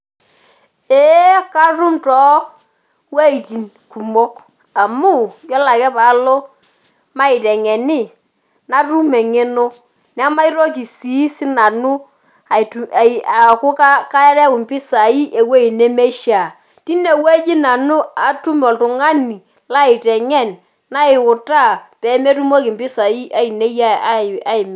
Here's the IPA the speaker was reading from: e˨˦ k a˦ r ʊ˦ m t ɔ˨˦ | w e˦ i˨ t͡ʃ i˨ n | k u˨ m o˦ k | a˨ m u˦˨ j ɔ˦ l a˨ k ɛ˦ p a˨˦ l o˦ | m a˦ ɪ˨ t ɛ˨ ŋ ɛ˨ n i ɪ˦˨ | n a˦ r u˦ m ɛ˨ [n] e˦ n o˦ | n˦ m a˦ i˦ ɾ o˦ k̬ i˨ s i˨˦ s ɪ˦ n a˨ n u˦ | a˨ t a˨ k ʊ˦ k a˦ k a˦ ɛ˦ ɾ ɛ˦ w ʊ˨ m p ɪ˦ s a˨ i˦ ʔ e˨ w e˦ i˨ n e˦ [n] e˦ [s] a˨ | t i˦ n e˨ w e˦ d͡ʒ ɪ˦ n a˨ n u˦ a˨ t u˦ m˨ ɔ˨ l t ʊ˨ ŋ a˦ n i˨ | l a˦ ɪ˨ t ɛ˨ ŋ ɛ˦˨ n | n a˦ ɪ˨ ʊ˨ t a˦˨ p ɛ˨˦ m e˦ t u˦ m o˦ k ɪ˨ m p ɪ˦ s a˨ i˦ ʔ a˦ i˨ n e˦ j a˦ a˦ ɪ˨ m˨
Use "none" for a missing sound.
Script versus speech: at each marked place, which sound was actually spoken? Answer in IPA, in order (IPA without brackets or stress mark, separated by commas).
ŋ, m, ʃ